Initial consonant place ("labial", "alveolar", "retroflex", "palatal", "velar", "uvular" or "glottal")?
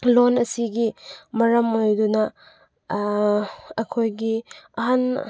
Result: alveolar